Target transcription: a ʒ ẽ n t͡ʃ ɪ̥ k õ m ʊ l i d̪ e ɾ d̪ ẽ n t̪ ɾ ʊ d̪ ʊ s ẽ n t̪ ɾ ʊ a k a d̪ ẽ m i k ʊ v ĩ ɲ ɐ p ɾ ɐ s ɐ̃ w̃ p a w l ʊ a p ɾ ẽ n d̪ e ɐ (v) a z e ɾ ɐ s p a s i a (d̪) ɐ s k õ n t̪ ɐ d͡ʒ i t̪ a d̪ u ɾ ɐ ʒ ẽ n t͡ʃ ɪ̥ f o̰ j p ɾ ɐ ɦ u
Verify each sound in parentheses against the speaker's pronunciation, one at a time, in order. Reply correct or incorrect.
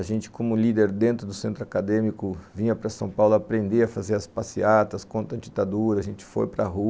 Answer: incorrect, incorrect

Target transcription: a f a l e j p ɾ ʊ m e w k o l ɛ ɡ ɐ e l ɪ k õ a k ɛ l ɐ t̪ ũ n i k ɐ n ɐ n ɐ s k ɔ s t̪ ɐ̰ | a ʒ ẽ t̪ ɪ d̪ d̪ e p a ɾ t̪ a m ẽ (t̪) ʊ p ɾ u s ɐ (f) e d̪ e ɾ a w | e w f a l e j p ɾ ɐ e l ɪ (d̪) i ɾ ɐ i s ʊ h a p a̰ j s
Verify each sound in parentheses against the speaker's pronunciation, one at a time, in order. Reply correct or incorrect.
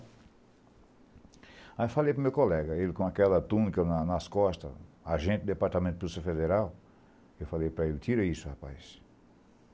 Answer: correct, correct, incorrect

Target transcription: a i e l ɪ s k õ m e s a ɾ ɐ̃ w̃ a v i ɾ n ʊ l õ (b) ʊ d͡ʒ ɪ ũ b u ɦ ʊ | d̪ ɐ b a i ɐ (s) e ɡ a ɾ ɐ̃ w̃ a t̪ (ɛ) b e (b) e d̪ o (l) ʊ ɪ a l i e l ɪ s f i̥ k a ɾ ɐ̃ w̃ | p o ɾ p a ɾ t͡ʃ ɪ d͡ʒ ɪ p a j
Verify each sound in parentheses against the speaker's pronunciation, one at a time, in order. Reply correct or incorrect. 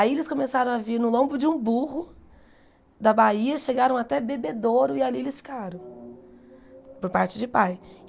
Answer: correct, incorrect, correct, correct, incorrect

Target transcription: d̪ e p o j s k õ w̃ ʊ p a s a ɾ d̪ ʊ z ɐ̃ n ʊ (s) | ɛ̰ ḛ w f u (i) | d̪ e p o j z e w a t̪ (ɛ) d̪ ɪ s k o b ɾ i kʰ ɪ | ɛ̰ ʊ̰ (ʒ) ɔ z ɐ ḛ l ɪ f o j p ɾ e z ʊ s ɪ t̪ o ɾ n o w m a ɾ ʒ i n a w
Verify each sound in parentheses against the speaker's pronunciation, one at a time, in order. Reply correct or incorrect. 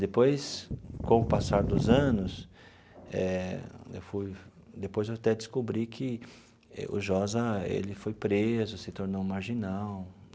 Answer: correct, incorrect, correct, correct

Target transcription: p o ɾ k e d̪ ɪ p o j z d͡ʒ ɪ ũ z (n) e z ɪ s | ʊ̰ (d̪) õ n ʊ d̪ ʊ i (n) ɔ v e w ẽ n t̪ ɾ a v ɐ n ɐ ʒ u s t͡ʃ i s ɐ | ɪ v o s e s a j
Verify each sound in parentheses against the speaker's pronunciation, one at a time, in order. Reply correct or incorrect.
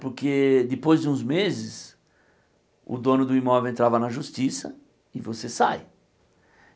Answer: incorrect, correct, incorrect

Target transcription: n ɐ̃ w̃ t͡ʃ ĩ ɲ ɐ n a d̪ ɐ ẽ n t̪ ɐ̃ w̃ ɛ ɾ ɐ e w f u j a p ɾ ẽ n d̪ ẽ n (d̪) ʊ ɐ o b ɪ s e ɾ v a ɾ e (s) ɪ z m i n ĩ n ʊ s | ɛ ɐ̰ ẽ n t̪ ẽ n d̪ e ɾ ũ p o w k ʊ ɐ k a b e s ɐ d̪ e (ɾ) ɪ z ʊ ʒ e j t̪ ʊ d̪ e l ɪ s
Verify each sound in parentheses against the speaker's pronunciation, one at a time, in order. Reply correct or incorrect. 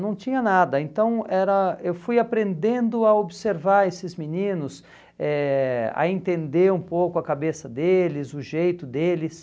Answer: correct, correct, incorrect

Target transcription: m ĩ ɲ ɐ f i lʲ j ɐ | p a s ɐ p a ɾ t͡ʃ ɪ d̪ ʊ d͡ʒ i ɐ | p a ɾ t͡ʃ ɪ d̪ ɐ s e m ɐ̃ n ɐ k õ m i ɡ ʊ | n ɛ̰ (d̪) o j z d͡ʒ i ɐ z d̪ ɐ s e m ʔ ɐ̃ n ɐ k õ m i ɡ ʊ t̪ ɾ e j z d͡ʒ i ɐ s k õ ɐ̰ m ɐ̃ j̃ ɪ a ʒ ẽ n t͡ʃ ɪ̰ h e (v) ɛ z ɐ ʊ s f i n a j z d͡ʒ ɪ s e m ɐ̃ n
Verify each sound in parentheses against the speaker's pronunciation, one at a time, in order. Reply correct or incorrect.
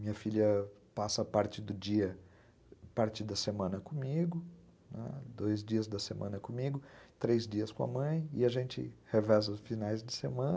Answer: correct, correct

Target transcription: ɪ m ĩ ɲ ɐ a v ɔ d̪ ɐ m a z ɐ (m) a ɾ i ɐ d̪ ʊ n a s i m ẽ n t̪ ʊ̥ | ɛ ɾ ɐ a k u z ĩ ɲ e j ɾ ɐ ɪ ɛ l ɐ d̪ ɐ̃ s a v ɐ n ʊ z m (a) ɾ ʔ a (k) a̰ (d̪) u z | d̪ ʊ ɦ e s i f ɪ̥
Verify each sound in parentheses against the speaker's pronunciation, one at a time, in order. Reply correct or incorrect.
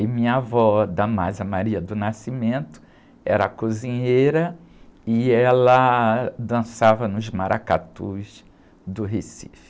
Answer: correct, correct, correct, incorrect

